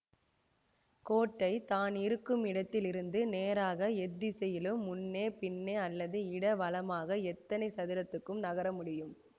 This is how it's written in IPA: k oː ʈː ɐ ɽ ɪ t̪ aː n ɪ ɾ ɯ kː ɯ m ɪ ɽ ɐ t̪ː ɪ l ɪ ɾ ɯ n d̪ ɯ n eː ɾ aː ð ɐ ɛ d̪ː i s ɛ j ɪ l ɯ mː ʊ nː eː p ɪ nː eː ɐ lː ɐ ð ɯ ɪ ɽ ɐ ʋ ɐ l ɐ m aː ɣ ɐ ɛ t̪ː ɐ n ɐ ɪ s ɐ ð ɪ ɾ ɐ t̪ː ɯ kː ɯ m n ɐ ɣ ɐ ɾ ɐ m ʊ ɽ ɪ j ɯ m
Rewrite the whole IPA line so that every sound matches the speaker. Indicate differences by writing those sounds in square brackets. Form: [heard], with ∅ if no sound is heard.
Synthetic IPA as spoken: k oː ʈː ɐ [∅] ɪ t̪ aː n ɪ ɾ ɯ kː ɯ m ɪ ɽ ɐ t̪ː ɪ l ɪ ɾ ɯ n d̪ ɯ n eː ɾ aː [ɣ] ɐ ɛ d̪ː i s ɛ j ɪ l ɯ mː ʊ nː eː p ɪ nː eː ɐ lː ɐ ð ɯ ɪ ɽ ɐ ʋ ɐ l ɐ m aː ɣ ɐ ɛ t̪ː ɐ n ɐ ɪ s ɐ ð ɪ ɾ ɐ t̪ː ɯ kː ɯ m n ɐ ɣ ɐ ɾ ɐ m ʊ ɽ ɪ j ɯ m

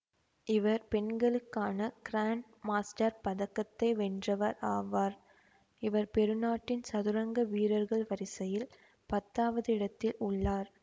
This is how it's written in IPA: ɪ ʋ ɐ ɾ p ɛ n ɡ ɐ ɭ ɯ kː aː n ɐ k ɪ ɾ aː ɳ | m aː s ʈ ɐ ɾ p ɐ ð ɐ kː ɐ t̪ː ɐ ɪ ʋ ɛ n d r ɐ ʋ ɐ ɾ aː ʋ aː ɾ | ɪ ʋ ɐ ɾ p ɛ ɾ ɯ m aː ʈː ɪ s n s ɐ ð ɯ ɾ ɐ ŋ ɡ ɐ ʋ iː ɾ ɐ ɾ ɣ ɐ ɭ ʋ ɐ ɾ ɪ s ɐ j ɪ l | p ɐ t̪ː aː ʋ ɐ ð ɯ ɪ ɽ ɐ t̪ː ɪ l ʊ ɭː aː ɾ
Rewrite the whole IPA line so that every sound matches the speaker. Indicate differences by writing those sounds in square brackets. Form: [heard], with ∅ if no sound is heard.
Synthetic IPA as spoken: ɪ ʋ ɐ ɾ p ɛ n ɡ ɐ ɭ ɯ kː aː n ɐ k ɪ ɾ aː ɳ | m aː s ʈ ɐ ɾ p ɐ ð ɐ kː ɐ t̪ː ɐ ɪ ʋ ɛ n d r ɐ ʋ ɐ ɾ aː ʋ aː ɾ | ɪ ʋ ɐ ɾ p ɛ ɾ ɯ [n] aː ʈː ɪ [∅] n s ɐ ð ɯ ɾ ɐ ŋ ɡ ɐ ʋ iː ɾ ɐ ɾ ɣ ɐ ɭ ʋ ɐ ɾ ɪ s ɐ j ɪ l | p ɐ t̪ː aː ʋ ɐ ð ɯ ɪ ɽ ɐ t̪ː ɪ l ʊ ɭː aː ɾ

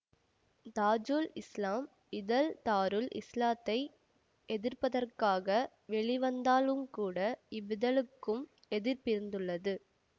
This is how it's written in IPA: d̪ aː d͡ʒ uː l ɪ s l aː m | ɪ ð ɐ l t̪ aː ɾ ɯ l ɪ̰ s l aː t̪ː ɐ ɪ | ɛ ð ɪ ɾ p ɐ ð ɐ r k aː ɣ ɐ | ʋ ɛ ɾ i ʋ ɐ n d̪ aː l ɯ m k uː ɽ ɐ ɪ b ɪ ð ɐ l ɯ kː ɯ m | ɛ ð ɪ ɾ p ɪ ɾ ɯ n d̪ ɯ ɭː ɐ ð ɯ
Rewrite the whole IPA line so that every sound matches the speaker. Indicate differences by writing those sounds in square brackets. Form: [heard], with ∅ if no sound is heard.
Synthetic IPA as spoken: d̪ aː d͡ʒ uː l ɪ s l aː m | ɪ ð ɐ l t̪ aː ɾ ɯ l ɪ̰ s l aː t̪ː ɐ ɪ | ɛ ð ɪ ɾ p ɐ ð ɐ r k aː ɣ ɐ | ʋ ɛ [ɭ] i ʋ ɐ n d̪ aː l ɯ m k uː ɽ ɐ ɪ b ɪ ð ɐ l ɯ kː ɯ m | ɛ ð ɪ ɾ p ɪ ɾ ɯ n d̪ ɯ ɭː ɐ ð ɯ

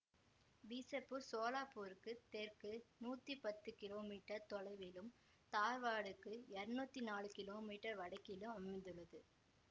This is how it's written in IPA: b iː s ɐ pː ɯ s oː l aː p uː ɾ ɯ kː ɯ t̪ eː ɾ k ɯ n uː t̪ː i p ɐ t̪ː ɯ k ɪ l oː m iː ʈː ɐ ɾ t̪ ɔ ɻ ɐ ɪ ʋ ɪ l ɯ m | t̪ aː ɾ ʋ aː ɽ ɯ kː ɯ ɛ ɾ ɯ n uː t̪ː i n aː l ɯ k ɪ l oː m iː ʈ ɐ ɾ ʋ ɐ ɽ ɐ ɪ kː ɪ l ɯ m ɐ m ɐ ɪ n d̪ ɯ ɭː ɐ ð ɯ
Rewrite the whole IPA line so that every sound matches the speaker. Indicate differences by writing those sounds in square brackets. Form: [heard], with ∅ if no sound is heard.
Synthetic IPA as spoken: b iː s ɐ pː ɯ s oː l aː p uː ɾ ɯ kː ɯ t̪ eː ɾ k ɯ n uː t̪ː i p ɐ t̪ː ɯ k ɪ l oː m iː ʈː ɐ ɾ t̪ ɔ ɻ ɐ ɪ ʋ ɪ l ɯ m | t̪ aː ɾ ʋ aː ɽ ɯ kː ɯ ɛ ɾ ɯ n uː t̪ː i n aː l ɯ k ɪ l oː m iː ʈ ɐ ɾ ʋ ɐ ɽ ɐ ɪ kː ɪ l ɯ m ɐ m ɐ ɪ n d̪ ɯ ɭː ɐ ð ɯ

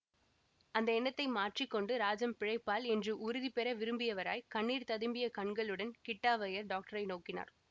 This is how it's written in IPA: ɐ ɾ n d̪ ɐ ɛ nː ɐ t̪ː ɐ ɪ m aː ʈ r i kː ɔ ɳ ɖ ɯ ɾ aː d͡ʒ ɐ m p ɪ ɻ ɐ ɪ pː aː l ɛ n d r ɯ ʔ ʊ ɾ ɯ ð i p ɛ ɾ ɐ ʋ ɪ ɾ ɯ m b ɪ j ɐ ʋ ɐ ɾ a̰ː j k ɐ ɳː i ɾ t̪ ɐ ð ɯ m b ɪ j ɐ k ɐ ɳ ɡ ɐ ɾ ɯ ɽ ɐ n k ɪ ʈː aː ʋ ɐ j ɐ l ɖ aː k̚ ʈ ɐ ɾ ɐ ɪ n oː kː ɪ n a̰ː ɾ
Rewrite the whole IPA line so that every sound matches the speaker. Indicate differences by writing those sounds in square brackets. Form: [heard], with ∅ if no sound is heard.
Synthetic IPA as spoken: ɐ [∅] n d̪ ɐ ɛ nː ɐ t̪ː ɐ ɪ m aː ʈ r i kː ɔ ɳ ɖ ɯ ɾ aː d͡ʒ ɐ m p ɪ ɻ ɐ ɪ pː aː l ɛ n d r ɯ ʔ ʊ ɾ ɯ ð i p ɛ ɾ ɐ ʋ ɪ ɾ ɯ m b ɪ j ɐ ʋ ɐ ɾ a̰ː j k ɐ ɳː [iː] ɾ t̪ ɐ ð ɯ m b ɪ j ɐ k ɐ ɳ ɡ ɐ [ɭ] ɯ ɽ ɐ n k ɪ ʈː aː ʋ ɐ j ɐ [ɾ] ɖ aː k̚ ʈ ɐ ɾ ɐ ɪ n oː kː ɪ n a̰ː ɾ

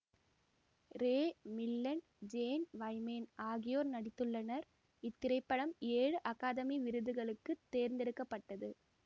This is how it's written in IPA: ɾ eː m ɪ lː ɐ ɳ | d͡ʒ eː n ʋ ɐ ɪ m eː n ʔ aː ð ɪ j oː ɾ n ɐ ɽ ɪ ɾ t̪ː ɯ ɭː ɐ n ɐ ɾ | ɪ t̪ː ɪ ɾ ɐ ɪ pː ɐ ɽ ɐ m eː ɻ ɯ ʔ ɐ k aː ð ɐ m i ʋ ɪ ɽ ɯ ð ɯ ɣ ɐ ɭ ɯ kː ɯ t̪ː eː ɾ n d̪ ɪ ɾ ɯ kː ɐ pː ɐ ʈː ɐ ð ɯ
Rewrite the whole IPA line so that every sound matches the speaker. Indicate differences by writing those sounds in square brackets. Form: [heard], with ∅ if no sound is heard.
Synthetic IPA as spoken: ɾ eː m ɪ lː ɐ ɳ | d͡ʒ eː n ʋ ɐ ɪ m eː n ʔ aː [ɣ] ɪ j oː ɾ n ɐ ɽ ɪ [∅] t̪ː ɯ ɭː ɐ n ɐ ɾ | ɪ t̪ː ɪ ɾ ɐ ɪ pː ɐ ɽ ɐ m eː ɻ ɯ ʔ ɐ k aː ð ɐ m i ʋ ɪ [ɾ] ɯ ð ɯ ɣ ɐ ɭ ɯ kː ɯ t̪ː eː ɾ n d̪ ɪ ɾ ɯ kː ɐ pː ɐ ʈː ɐ ð ɯ

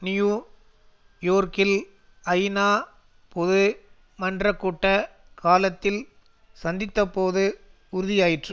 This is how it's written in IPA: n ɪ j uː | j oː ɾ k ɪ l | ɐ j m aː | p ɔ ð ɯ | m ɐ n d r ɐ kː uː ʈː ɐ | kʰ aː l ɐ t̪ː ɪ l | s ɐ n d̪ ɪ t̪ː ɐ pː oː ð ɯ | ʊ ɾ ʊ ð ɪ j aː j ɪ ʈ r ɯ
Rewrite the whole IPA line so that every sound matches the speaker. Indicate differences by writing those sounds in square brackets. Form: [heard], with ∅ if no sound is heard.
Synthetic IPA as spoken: n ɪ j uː | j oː ɾ k ɪ l | ɐ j [n] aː | p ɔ ð ɯ | m ɐ n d r ɐ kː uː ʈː ɐ | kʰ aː l ɐ t̪ː ɪ l | s ɐ n d̪ ɪ t̪ː ɐ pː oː ð ɯ | ʊ ɾ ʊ ð ɪ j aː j ɪ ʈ r ɯ

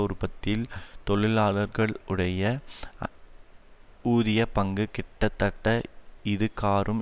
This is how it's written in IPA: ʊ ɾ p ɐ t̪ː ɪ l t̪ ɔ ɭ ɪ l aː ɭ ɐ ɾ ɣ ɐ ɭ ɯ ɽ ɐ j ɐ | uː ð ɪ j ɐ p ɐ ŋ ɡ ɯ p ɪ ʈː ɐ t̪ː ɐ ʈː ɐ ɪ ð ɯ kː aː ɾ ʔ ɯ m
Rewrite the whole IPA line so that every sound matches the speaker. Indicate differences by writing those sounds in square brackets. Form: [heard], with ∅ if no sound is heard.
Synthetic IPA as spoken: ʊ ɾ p ɐ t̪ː ɪ l t̪ ɔ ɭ ɪ l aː ɭ ɐ ɾ ɣ ɐ ɭ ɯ ɽ ɐ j ɐ | uː ð ɪ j ɐ p ɐ ŋ ɡ ɯ [k] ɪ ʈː ɐ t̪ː ɐ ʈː ɐ ɪ ð ɯ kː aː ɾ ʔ ɯ m

